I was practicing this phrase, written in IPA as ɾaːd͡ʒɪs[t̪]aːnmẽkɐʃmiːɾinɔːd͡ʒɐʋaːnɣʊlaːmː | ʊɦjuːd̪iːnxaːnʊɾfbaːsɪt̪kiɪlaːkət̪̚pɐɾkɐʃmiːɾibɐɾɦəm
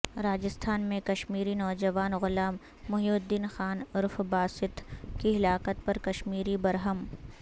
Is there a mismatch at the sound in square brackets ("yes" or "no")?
yes